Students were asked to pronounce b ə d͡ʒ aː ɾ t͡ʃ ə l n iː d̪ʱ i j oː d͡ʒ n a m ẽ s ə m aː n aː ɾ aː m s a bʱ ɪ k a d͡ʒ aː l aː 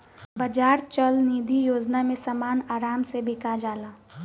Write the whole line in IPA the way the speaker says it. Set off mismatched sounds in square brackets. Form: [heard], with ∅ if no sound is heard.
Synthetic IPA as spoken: b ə d͡ʒ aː ɾ t͡ʃ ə l n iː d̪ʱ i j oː d͡ʒ n a m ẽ s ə m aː n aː ɾ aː m s [e] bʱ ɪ k a d͡ʒ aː l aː

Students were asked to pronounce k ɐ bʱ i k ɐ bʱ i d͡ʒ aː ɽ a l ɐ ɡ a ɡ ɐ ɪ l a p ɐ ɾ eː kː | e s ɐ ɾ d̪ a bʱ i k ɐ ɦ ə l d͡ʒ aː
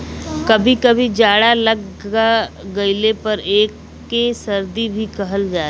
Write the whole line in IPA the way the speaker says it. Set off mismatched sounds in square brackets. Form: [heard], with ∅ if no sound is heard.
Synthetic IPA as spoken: k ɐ bʱ i k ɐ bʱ i d͡ʒ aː ɽ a l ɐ ɡ a ɡ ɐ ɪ l [e] p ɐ ɾ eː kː | e s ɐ ɾ d̪ [i] bʱ i k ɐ ɦ ə l d͡ʒ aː

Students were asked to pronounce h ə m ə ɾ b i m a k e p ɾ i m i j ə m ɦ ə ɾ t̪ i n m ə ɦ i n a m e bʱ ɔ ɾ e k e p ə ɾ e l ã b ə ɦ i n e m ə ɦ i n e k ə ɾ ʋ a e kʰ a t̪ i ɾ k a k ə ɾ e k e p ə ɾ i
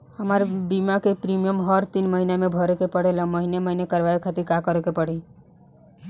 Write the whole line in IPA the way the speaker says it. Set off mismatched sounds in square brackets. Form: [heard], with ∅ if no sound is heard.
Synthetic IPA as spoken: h ə m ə ɾ b i m a k e p ɾ i m i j ə m ɦ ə ɾ t̪ i n m ə ɦ i n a m e bʱ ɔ ɾ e k e p ə [ɽ] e l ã [m] ə ɦ i n e m ə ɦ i n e k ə ɾ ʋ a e kʰ a t̪ i ɾ k a k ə ɾ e k e p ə [ɽ] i

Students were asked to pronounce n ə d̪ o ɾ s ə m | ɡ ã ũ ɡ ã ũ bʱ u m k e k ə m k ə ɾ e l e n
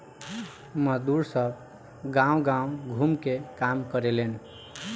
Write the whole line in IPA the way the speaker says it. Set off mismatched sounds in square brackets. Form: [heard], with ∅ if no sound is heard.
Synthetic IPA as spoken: [m] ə d̪ [u] ɾ s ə [b] | ɡ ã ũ ɡ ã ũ [ɡʱ] u m k e k [a] m k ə ɾ e l e n

